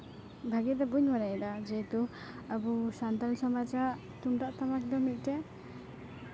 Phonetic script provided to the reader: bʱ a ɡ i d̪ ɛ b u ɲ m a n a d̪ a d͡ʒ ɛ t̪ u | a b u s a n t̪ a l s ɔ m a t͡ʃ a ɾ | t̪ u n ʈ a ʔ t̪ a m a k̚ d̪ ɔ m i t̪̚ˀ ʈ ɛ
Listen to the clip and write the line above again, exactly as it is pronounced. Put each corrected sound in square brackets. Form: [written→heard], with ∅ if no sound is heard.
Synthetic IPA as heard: bʱ a ɡ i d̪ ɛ b u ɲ m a n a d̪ a d͡ʒ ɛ t̪ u | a b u s a n t̪ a l s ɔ m a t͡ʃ a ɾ | t̪ u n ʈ a ʔ t̪ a m a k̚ d̪ ɔ m i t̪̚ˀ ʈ ɛ